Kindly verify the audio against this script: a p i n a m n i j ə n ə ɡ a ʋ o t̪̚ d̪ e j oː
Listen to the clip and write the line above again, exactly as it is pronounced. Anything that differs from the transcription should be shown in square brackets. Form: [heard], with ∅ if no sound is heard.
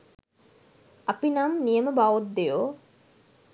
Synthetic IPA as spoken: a p i n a m n i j ə [m] ə [b] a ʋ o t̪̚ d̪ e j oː